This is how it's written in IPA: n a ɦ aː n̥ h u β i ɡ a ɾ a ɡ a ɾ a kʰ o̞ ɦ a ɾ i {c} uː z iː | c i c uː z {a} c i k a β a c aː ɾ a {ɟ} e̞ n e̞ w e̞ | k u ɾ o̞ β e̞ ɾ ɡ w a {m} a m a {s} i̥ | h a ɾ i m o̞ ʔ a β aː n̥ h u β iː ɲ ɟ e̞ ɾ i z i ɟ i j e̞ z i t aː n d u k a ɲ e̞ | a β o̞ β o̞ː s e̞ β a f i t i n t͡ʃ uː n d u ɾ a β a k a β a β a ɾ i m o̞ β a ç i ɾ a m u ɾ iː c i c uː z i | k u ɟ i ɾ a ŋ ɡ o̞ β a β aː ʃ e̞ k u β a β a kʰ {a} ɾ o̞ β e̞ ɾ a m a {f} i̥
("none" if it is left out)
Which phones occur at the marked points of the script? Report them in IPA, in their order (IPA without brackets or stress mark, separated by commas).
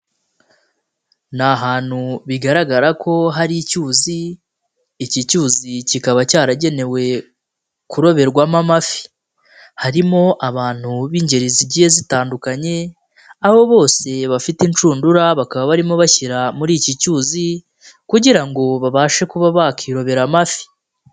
c, i, ɟ, m, f, i, f